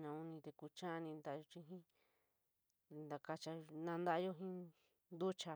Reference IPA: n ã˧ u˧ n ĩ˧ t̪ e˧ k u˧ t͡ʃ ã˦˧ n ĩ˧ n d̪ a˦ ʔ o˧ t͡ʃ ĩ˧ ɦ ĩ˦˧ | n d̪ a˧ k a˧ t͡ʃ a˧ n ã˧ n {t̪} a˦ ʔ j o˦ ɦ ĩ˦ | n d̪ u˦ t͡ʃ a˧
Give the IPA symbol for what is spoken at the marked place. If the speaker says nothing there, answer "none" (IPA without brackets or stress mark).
d̪